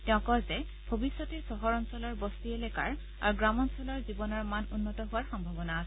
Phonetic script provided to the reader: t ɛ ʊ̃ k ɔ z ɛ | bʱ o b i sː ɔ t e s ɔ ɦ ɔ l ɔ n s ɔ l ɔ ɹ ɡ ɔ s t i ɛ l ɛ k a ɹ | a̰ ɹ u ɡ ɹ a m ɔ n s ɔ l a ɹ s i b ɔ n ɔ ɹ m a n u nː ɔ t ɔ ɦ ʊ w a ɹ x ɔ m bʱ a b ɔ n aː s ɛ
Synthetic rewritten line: t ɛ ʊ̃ k ɔ z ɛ | bʱ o b i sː ɔ t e s ɔ ɦ ɔ ɹ ɔ n s ɔ l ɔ ɹ b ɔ s t i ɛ l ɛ k a ɹ | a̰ ɹ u ɡ ɹ a m ɔ n s ɔ l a ɹ z i b ɔ n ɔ ɹ m a n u nː ɔ t ɔ ɦ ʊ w a ɹ x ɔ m bʱ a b ɔ n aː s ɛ